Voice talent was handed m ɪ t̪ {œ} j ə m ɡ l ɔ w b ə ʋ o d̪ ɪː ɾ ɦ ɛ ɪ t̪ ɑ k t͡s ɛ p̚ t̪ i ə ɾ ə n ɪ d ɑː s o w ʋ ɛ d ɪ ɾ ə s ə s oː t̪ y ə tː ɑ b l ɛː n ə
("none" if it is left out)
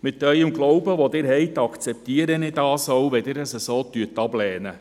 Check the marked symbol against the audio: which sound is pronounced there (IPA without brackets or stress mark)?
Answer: œ